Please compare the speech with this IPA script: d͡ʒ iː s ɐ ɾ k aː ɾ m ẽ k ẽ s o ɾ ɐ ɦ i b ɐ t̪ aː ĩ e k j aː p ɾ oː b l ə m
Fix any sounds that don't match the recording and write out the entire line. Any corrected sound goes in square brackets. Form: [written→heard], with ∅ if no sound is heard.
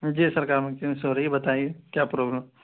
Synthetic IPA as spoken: d͡ʒ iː s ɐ ɾ k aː ɾ m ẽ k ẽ s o ɾ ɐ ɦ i b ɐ t̪ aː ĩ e k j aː p ɾ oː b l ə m